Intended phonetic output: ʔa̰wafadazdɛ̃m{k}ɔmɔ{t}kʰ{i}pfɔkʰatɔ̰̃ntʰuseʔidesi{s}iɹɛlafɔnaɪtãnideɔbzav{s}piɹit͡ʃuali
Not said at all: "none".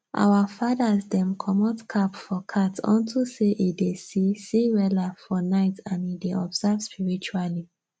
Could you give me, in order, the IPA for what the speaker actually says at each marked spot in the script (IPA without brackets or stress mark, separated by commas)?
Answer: kʰ, t, a, s, s